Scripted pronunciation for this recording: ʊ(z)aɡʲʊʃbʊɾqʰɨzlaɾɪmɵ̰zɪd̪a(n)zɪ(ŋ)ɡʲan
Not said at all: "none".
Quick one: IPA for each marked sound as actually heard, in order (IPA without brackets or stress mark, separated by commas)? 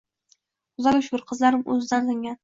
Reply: z, n, ŋ